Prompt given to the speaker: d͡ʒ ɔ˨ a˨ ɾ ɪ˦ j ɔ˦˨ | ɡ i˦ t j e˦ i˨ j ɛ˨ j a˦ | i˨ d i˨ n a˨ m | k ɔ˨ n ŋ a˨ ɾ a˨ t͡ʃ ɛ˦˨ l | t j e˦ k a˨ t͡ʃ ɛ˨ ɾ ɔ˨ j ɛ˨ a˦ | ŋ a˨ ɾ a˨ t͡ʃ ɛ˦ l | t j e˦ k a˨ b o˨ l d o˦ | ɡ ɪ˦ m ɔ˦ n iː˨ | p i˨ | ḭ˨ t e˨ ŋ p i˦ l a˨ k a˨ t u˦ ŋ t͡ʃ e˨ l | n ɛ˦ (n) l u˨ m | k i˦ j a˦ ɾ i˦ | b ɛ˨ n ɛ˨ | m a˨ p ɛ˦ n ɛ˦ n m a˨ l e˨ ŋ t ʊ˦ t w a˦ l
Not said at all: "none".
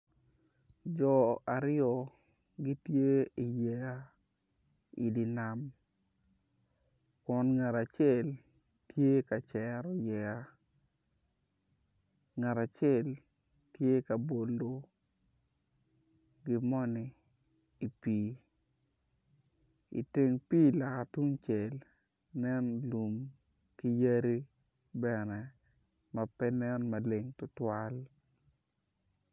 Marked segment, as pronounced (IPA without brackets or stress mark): n